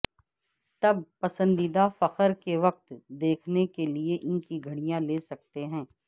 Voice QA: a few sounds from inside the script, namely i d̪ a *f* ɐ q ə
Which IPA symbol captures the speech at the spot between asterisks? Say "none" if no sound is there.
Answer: f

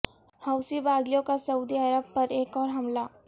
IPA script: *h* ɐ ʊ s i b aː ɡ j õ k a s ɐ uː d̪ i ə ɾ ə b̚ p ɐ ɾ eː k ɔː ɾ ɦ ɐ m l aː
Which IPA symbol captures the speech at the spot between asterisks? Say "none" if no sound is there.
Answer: h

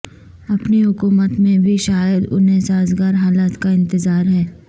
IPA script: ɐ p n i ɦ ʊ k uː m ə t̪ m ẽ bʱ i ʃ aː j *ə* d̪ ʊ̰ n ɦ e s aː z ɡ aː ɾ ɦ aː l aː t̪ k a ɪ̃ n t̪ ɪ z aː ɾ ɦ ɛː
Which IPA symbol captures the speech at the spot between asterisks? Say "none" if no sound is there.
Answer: ə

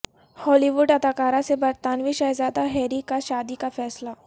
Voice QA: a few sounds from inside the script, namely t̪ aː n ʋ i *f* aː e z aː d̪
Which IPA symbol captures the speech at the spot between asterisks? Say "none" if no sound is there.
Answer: ʃ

